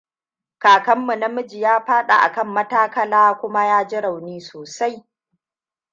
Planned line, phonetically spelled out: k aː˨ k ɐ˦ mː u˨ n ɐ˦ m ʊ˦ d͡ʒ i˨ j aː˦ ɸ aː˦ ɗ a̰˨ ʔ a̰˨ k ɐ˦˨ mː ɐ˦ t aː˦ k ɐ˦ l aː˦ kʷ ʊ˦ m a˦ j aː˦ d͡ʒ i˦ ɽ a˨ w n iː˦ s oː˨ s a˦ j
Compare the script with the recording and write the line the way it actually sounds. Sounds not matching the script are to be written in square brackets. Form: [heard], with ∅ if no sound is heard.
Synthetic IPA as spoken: k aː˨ k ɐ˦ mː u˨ n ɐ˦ m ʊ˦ d͡ʒ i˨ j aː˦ ɸ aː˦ ɗ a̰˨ ʔ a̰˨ k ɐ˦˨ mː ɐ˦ t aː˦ k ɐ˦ l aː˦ kʷ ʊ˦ m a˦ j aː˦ d͡ʒ [ɪ˦] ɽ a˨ w n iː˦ s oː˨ s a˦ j

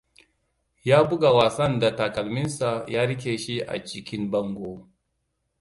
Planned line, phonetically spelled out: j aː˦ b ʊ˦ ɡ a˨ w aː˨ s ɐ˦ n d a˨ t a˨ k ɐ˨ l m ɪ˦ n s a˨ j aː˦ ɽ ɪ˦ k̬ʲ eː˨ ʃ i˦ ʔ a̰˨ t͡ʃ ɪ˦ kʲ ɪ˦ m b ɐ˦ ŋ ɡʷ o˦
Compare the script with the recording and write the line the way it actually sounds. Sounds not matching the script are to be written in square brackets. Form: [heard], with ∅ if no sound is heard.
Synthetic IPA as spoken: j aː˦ b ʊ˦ ɡ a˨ w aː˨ s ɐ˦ n d a˨ t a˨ k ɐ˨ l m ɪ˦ n s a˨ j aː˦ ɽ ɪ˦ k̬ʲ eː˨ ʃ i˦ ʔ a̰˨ t͡ʃ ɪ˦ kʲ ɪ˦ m b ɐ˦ ŋ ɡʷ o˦

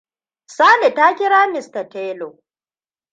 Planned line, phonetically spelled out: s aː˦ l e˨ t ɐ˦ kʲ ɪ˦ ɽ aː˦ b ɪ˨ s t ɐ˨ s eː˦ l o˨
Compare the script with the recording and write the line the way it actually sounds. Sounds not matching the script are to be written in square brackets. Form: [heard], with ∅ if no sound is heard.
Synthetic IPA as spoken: s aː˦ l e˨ t [a˦] kʲ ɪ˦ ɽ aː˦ [m] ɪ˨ s t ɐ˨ [t] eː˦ l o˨

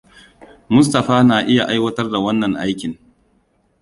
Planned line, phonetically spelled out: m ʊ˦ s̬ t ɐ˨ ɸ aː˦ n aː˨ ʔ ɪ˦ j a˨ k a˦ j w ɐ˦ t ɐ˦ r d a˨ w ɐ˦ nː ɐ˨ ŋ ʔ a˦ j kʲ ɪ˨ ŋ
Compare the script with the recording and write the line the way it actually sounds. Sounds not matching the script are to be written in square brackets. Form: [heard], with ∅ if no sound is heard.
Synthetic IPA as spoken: m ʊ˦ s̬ t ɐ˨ ɸ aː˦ n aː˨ ʔ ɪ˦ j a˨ [ʔ] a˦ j w ɐ˦ t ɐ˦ r d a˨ w ɐ˦ nː ɐ˨ ŋ ʔ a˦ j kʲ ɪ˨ ŋ

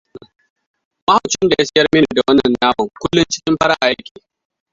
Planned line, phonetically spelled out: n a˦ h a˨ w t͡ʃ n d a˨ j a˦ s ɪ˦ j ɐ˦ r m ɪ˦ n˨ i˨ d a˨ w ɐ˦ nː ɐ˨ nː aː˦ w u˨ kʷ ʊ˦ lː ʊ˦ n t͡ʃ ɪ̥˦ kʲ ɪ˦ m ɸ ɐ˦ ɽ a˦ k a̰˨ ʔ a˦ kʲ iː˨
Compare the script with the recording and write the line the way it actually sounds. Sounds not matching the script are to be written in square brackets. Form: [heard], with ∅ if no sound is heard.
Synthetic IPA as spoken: [m] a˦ h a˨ w t͡ʃ n d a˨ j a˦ s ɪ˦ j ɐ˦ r m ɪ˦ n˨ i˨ d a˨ w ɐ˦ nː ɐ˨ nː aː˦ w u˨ kʷ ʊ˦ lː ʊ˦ n t͡ʃ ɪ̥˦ kʲ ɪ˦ m ɸ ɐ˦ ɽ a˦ [ʔ] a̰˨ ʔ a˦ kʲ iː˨

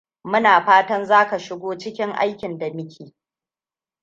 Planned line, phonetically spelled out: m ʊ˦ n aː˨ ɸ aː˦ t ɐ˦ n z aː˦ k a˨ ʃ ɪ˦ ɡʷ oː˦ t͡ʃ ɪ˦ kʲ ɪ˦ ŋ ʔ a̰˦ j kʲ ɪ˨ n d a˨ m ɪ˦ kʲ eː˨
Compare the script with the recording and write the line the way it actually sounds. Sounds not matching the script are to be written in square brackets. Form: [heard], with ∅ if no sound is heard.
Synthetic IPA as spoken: m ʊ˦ n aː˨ ɸ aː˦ t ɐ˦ n z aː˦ k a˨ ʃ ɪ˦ ɡʷ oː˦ t͡ʃ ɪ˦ kʲ ɪ˦ ŋ ʔ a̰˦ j kʲ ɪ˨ n d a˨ m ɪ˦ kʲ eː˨

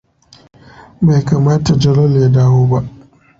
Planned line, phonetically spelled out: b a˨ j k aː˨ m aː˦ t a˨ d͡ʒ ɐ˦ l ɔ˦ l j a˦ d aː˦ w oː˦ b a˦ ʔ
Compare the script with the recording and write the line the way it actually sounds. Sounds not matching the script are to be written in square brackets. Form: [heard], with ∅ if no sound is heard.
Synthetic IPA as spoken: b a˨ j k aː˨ m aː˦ t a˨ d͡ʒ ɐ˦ l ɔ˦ l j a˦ d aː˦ w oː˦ b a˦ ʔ

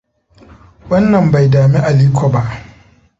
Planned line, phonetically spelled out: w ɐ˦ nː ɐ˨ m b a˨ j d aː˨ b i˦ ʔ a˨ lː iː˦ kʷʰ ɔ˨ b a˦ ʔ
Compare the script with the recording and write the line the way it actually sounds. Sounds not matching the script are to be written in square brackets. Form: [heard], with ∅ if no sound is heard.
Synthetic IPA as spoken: w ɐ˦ nː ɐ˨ m b a˨ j d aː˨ [m] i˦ ʔ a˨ [l] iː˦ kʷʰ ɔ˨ b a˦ ʔ

